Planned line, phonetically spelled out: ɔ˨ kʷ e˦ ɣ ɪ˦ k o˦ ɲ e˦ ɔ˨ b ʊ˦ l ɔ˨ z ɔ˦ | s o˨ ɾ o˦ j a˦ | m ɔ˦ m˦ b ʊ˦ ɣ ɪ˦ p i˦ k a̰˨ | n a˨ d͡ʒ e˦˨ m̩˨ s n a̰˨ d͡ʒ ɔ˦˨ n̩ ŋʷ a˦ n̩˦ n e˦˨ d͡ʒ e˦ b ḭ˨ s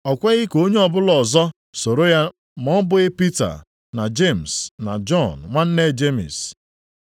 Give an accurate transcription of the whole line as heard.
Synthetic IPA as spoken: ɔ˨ kʷ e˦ ɣ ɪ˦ k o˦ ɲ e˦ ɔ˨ b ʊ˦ l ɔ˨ z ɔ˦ | s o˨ ɾ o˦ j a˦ | m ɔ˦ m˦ b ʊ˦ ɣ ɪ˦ p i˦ t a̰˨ | n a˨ d͡ʒ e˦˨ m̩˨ s n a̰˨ d͡ʒ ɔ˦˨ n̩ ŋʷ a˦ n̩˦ n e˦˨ d͡ʒ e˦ m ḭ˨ s